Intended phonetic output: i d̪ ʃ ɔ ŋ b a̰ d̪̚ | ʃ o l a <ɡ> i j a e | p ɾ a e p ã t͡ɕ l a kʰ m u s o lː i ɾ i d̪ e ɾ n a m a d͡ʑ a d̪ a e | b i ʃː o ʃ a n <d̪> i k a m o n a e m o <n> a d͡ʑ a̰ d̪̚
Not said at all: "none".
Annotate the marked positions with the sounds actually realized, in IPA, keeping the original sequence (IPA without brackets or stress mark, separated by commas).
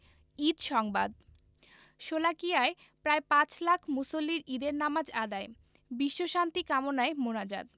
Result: k, t̪, n